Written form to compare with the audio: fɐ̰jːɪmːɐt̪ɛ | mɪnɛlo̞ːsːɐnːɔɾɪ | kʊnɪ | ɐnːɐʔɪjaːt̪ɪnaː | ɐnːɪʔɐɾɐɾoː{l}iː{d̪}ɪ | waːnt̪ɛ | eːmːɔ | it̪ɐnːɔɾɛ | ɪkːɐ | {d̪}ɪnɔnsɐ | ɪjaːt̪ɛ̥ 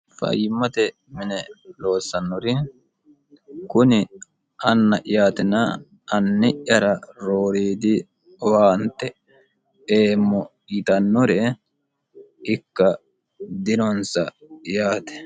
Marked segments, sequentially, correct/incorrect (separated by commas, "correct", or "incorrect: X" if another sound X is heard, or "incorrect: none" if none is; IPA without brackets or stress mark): incorrect: ɾ, correct, correct